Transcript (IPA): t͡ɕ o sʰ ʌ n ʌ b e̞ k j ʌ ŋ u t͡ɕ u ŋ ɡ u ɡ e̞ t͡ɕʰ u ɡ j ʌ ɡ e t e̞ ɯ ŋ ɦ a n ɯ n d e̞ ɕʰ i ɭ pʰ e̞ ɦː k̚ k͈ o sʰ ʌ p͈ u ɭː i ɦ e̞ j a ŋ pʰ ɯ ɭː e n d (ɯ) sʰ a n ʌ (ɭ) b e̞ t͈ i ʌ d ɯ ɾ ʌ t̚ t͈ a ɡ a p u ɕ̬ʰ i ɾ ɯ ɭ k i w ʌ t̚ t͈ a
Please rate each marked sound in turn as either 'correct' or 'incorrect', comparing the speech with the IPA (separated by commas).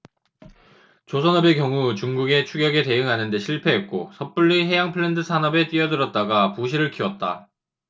correct, incorrect